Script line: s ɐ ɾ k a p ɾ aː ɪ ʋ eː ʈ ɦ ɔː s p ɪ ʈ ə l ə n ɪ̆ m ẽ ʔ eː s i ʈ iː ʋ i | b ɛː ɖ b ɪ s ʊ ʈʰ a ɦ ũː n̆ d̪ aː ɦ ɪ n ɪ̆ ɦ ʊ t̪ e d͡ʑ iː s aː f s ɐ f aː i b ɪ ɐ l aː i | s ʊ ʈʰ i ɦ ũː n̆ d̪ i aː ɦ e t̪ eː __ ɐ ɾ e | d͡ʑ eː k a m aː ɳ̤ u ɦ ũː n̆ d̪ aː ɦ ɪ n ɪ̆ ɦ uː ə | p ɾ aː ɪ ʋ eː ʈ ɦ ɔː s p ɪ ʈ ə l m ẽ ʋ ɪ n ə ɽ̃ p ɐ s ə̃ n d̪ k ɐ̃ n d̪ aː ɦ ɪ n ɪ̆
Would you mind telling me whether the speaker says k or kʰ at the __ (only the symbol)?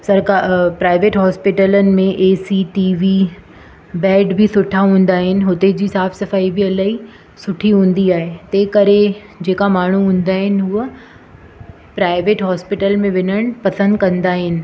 k